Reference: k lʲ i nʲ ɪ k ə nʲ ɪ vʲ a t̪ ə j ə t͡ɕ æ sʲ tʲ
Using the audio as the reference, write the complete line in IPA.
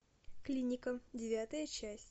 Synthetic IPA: k lʲ i nʲ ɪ k ə dʲ ɪ vʲ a t̪ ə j ə t͡ɕ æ sʲ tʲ